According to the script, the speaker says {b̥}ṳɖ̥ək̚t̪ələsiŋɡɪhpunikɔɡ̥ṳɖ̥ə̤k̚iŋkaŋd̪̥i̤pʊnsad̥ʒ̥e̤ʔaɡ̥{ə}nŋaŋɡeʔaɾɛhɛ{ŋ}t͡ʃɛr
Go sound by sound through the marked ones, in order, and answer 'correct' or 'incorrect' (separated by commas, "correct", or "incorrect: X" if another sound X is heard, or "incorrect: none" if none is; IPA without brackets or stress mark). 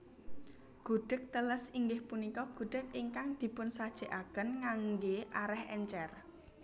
incorrect: ɡ̥, correct, incorrect: ɲ